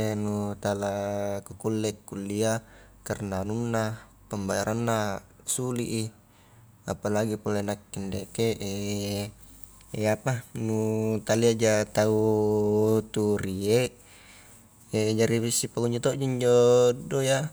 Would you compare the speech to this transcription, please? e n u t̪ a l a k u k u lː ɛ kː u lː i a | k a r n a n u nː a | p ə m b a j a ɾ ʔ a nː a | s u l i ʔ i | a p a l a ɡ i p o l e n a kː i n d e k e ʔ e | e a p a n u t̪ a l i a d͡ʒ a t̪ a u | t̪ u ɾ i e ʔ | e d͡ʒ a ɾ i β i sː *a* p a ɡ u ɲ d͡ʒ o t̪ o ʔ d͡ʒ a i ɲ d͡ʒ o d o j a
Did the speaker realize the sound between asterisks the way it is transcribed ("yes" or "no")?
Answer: no